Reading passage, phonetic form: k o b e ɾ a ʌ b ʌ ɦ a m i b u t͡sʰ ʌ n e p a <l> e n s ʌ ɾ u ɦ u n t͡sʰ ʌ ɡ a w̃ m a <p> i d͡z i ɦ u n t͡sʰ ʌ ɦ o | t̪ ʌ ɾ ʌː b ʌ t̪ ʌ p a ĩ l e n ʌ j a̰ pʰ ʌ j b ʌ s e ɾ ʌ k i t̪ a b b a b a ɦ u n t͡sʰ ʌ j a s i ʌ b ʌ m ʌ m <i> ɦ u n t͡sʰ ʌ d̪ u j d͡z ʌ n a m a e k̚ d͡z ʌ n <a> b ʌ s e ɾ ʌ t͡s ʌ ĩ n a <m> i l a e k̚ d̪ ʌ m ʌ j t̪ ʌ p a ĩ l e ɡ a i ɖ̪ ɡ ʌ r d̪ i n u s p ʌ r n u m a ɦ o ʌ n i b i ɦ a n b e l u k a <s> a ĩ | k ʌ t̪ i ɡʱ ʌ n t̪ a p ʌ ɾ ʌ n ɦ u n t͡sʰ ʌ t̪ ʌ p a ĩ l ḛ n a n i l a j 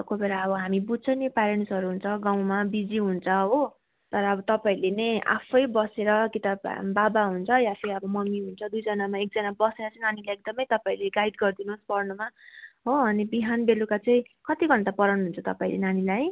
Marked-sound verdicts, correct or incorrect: incorrect: ɾ, incorrect: b, correct, correct, incorrect: n, incorrect: t͡s

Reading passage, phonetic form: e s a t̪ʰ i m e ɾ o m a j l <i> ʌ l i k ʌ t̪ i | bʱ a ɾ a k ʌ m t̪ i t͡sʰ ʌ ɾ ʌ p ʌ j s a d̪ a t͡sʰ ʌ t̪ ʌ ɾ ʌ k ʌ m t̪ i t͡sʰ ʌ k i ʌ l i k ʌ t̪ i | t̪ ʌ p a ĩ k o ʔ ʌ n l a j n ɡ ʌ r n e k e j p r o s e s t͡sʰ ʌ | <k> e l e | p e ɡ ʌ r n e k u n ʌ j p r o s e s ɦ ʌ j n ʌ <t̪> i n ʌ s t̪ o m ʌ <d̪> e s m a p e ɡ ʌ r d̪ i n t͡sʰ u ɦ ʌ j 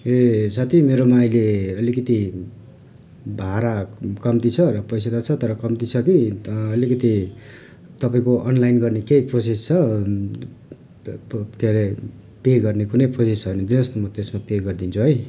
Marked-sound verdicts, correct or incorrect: incorrect: e, correct, incorrect: d̪, incorrect: t̪

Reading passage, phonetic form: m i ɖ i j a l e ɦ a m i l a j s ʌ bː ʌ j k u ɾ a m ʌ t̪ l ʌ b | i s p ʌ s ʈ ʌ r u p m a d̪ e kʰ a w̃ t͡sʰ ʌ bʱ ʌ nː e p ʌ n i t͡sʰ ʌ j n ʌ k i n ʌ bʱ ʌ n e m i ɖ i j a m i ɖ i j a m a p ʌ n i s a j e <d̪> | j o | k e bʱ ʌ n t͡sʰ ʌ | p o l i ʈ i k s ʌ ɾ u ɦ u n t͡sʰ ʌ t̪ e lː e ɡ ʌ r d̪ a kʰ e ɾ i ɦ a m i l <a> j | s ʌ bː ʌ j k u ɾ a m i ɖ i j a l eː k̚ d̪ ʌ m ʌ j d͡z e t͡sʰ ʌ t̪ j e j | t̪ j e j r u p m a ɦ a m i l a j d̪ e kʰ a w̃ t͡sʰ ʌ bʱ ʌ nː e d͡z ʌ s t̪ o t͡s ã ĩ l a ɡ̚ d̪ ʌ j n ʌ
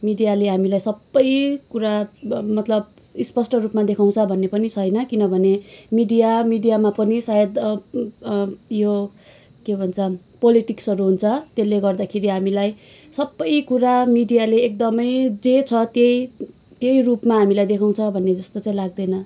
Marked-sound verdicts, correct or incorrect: correct, correct

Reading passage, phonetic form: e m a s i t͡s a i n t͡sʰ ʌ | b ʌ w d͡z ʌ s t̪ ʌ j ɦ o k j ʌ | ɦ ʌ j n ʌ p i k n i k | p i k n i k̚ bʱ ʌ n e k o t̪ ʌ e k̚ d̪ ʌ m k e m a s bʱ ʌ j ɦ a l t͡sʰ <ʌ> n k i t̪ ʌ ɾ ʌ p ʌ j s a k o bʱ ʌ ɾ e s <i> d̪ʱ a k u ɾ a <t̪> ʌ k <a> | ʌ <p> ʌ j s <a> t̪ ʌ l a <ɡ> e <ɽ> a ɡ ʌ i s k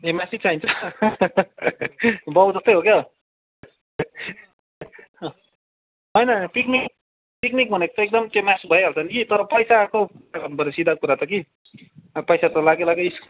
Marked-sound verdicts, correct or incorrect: correct, correct, correct, incorrect: i, correct, correct, correct, incorrect: l

